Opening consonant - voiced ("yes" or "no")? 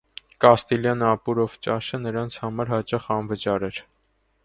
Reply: no